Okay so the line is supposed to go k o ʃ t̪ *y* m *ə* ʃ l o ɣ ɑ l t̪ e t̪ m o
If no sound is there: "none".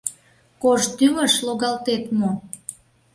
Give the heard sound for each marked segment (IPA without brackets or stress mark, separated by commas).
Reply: y, ə